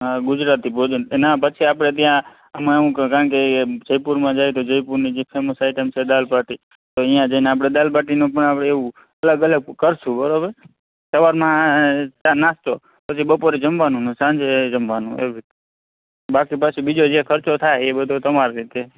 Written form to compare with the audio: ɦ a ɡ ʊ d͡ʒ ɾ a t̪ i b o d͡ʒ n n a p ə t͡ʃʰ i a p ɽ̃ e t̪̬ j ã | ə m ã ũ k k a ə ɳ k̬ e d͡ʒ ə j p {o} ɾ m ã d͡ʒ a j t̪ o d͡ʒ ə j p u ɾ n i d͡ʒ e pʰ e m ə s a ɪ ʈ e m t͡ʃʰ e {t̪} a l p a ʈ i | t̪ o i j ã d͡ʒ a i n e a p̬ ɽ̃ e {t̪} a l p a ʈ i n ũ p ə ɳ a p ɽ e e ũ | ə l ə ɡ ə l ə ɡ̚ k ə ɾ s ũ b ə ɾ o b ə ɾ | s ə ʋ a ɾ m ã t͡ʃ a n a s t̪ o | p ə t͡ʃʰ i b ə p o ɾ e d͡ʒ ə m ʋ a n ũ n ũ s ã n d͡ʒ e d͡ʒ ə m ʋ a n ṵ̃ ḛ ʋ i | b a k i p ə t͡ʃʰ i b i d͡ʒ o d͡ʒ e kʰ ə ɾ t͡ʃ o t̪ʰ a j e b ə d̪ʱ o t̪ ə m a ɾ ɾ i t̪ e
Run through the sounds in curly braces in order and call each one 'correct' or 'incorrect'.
incorrect: u, incorrect: d̪, incorrect: d̪

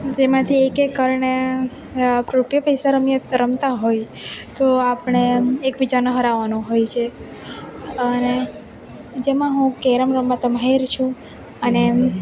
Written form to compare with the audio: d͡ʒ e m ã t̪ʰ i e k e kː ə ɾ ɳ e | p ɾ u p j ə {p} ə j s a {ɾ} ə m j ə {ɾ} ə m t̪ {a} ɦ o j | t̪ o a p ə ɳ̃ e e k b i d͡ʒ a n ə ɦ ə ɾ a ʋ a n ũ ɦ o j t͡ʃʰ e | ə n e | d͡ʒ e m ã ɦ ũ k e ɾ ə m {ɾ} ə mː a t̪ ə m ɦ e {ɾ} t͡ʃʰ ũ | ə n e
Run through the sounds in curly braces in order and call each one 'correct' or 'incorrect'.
correct, correct, correct, correct, correct, correct

